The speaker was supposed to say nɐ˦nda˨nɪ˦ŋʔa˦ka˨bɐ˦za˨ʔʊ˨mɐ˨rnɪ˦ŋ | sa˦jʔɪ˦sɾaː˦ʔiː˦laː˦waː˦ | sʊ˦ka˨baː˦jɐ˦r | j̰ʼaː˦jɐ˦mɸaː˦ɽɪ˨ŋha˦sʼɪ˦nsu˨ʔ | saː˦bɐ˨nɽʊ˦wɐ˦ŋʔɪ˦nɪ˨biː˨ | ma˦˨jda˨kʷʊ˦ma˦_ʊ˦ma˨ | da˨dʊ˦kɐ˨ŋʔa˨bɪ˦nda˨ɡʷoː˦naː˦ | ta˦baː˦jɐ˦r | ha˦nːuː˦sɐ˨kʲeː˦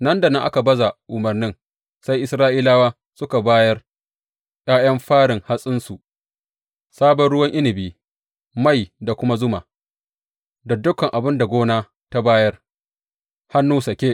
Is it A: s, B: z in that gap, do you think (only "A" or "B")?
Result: B